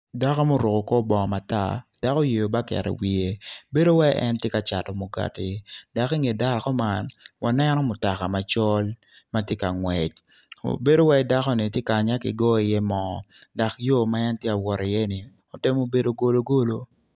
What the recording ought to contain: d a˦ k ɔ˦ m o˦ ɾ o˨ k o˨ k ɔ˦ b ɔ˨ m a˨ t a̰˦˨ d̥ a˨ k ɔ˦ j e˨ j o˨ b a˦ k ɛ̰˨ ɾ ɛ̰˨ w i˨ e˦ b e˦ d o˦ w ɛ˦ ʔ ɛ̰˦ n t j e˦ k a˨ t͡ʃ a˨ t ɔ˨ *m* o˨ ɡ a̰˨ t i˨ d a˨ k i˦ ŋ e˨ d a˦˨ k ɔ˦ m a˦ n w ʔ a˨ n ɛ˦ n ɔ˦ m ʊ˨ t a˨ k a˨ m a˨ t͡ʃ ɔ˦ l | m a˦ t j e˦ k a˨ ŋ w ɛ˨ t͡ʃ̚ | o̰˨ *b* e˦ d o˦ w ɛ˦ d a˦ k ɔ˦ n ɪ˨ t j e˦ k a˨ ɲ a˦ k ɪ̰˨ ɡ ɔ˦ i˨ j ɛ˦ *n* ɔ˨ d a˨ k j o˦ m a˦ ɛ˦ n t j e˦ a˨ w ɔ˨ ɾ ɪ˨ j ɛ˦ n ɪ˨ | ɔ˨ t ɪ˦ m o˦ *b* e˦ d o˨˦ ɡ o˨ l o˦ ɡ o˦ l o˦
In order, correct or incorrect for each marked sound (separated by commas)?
correct, correct, incorrect, correct